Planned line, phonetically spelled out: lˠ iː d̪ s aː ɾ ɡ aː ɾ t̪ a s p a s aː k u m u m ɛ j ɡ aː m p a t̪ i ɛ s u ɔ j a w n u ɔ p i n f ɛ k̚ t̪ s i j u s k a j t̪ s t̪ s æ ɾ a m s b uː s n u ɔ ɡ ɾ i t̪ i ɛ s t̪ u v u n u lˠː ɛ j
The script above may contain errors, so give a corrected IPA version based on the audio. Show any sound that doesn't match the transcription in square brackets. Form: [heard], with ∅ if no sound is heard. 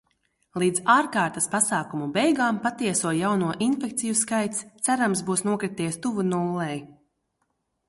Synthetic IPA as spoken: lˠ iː d̪ [z] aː ɾ [k] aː ɾ t̪ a s p a s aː k u m u [b] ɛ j ɡ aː m p a t̪ i ɛ s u ɔ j a w n u ɔ [ʔ] i n f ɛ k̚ t̪ s i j u s k a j t̪ s t̪ s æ ɾ a m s b uː s n u ɔ [k] ɾ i t̪ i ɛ s t̪ u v u n u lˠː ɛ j